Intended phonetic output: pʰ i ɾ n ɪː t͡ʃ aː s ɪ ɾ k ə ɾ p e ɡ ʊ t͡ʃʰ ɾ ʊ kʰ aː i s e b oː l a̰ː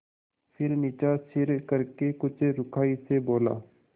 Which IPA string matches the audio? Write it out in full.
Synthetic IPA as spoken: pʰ ɪ ɾ n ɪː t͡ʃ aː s ɪ ɾ k ə ɾ k e k ʊ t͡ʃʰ ɾ ʊ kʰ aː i s e b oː l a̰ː